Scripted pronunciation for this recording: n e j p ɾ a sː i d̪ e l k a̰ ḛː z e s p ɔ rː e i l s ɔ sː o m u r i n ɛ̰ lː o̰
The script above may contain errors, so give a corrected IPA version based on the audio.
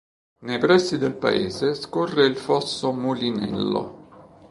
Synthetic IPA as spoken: n e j p ɾ ɛ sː i d̪ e l p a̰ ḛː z e s k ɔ rː e i l f ɔ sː o m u l i n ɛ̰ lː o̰